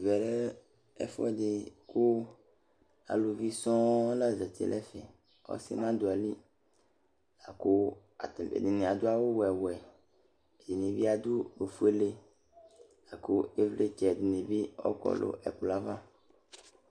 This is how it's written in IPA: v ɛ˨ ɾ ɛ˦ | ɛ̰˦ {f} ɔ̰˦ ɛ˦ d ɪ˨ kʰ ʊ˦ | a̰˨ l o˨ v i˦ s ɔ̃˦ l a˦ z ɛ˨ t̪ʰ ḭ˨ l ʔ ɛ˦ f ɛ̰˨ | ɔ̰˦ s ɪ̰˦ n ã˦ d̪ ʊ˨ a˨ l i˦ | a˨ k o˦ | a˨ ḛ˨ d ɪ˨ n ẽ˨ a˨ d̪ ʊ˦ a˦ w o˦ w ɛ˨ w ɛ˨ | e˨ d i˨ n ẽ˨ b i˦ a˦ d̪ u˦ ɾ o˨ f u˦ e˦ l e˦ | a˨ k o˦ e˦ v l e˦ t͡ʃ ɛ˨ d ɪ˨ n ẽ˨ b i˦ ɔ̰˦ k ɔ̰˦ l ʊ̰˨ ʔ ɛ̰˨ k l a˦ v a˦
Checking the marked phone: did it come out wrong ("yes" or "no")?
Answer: no